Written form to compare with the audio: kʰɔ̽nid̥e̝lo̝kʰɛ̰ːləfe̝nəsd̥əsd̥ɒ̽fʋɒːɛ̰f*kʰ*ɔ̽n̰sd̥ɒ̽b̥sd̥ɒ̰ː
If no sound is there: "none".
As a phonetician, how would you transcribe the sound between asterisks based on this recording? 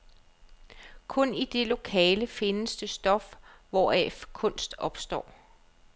kʰ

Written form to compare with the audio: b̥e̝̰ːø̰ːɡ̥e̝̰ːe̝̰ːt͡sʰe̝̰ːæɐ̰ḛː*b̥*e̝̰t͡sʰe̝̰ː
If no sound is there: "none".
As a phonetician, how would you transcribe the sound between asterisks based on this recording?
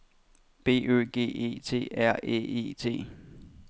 none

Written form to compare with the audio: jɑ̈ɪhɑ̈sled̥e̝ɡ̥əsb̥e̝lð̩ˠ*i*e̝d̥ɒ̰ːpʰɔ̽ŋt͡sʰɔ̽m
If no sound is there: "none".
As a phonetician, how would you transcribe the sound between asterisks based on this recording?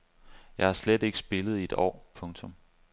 i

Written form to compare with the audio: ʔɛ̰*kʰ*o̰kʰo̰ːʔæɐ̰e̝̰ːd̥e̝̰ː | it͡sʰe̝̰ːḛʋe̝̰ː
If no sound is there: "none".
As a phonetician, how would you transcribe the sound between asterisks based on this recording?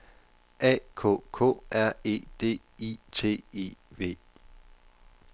kʰ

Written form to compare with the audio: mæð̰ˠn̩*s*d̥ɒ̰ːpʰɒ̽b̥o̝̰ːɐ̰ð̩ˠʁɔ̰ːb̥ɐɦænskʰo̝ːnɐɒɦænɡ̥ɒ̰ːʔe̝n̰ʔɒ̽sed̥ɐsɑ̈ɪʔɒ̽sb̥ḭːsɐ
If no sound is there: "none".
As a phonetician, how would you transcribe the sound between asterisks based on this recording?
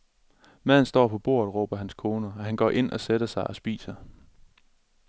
s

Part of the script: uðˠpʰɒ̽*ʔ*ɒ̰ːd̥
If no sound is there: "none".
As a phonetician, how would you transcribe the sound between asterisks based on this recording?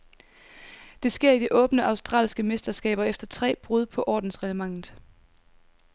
ʔ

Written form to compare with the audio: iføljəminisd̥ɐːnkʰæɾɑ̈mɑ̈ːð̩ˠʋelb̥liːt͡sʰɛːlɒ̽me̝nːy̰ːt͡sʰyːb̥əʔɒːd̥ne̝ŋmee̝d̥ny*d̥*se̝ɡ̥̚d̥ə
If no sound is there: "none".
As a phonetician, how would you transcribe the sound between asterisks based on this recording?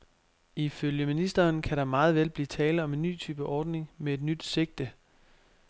d̥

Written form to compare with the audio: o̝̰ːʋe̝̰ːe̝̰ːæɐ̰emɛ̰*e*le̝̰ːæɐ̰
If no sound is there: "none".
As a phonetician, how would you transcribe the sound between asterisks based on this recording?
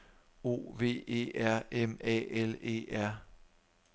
e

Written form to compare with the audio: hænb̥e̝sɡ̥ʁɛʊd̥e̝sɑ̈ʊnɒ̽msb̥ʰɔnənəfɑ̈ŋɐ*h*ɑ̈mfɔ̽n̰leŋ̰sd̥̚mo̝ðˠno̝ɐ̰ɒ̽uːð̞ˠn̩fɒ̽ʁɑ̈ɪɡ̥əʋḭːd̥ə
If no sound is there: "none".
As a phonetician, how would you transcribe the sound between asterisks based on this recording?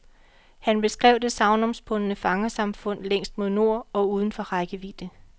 s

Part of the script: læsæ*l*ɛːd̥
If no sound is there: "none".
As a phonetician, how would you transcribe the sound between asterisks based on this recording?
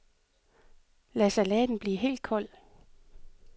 l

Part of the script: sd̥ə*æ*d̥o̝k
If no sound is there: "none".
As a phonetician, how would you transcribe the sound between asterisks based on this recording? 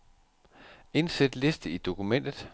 i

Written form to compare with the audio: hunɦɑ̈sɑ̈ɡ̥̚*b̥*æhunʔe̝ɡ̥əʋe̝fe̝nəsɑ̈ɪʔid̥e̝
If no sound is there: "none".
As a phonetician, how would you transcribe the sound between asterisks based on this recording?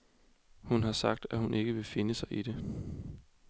d̥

